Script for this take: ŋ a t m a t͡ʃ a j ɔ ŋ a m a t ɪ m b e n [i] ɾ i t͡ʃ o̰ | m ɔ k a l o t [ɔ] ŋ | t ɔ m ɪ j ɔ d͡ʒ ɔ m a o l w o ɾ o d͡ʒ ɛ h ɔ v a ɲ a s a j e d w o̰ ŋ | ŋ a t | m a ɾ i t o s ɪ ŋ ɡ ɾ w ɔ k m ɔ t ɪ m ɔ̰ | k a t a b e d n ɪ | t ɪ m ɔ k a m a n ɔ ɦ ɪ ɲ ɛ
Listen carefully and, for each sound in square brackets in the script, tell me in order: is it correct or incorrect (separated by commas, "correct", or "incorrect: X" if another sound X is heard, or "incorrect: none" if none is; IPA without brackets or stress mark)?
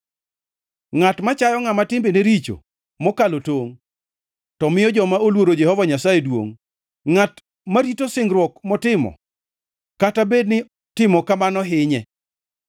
incorrect: e, incorrect: o